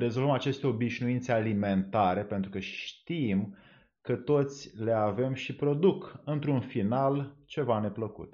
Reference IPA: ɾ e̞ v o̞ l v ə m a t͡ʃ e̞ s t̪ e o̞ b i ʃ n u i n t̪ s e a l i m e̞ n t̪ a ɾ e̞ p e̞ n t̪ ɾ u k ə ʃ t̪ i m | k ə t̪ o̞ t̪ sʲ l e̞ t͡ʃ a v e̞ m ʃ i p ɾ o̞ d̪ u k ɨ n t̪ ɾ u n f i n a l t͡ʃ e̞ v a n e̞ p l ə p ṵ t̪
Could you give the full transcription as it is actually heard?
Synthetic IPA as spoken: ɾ e̞ z o̞ l v ə m a t͡ʃ e̞ s t̪ e o̞ b i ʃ n u i n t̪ s e a l i m e̞ n t̪ a ɾ e̞ p e̞ n t̪ ɾ u k ə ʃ t̪ i m | k ə t̪ o̞ t̪ sʲ l e̞ a v e̞ m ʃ i p ɾ o̞ d̪ u k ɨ n t̪ ɾ u n f i n a l t͡ʃ e̞ v a n e̞ p l ə k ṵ t̪